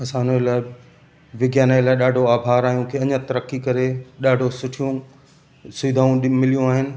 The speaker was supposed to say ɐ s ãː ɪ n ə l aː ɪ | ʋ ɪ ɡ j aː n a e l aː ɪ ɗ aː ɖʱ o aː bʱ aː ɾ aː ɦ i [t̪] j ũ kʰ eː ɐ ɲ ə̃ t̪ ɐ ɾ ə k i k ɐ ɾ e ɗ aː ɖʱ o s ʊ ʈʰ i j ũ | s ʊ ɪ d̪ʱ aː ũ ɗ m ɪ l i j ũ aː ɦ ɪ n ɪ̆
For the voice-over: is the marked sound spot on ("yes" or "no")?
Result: no